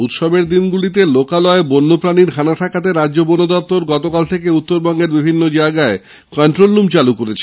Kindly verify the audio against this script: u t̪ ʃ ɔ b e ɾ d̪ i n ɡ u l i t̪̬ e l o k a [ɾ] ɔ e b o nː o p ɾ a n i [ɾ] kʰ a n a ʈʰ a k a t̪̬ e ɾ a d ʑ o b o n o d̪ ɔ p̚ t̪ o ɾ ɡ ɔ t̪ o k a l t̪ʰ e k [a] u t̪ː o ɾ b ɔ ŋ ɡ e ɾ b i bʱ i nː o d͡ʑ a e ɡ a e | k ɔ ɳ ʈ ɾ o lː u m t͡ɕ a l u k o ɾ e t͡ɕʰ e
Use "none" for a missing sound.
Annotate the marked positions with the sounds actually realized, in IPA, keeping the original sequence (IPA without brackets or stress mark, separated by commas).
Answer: l, ɾ, e